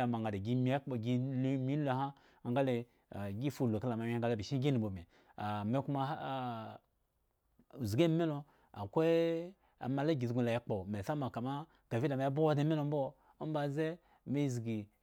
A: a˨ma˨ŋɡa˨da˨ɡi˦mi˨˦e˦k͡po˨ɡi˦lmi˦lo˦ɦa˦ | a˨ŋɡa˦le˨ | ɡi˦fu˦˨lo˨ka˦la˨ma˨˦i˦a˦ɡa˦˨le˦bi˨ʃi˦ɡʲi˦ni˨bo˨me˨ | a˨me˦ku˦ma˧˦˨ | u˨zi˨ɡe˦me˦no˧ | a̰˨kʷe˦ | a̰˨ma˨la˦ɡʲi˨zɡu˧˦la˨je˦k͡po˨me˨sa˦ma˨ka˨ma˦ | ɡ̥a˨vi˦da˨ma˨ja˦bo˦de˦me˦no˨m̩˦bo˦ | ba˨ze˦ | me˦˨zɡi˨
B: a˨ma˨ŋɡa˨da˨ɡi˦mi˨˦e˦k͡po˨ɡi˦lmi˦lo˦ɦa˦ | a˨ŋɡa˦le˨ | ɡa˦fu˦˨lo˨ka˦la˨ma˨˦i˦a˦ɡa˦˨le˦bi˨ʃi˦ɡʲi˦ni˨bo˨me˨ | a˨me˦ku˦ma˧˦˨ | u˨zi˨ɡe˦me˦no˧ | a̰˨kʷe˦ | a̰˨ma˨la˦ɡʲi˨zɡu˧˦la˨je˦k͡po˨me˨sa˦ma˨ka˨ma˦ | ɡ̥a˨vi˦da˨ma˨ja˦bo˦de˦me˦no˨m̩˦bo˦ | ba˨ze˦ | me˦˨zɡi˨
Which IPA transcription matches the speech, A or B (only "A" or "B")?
A